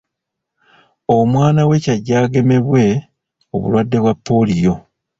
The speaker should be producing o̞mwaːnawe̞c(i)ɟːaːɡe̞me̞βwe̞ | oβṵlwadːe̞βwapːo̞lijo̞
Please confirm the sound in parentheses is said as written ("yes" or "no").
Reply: no